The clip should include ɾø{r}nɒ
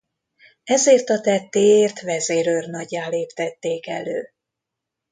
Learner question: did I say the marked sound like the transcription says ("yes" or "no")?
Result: yes